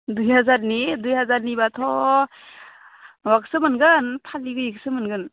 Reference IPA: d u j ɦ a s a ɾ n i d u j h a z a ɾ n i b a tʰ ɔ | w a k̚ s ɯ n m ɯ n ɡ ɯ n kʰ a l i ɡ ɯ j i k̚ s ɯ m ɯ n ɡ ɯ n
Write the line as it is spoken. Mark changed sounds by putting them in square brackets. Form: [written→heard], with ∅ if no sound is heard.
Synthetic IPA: d u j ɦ a [s→z] a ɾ n i d u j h a z a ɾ n i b a tʰ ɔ | w a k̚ s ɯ [n→∅] m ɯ n ɡ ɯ n [kʰ→pʰ] a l i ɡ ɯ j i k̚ s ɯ m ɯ n ɡ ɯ n